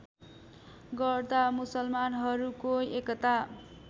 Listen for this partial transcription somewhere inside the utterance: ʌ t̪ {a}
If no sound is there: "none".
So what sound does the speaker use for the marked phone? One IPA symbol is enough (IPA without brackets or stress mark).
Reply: a